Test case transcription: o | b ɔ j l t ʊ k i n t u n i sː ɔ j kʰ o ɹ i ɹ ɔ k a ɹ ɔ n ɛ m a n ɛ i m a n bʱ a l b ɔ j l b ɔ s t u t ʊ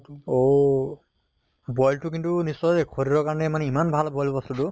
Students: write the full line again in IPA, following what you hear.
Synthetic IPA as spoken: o | b ɔ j l t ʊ k i n t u n i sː ɔ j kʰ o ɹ i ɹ ɔ k a ɹ ɔ n ɛ m a n ɛ i m a n bʱ a l b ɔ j l b ɔ s t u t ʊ